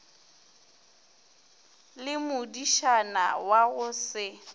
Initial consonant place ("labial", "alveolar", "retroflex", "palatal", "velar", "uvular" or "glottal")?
alveolar